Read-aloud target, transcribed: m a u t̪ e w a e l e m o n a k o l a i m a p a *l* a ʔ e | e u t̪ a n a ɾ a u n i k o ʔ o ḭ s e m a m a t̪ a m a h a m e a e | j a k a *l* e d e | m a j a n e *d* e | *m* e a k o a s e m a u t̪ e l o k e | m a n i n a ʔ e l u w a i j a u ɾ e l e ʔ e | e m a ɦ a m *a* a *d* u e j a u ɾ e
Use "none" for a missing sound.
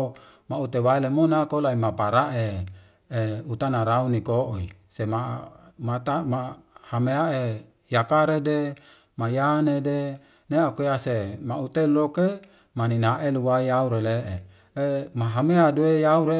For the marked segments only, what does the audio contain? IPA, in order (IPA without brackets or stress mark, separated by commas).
ɾ, ɾ, d, n, e, d